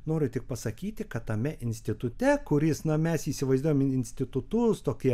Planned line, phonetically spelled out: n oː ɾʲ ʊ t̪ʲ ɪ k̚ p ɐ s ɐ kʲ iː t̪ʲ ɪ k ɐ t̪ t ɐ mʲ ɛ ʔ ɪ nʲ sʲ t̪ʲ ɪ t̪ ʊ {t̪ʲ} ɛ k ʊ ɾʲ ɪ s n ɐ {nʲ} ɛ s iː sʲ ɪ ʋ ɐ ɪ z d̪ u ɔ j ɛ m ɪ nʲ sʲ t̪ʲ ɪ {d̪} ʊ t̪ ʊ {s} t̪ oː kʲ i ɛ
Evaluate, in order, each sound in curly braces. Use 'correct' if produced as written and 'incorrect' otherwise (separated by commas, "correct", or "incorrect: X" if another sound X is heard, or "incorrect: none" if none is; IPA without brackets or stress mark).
correct, incorrect: mʲ, incorrect: t̪, correct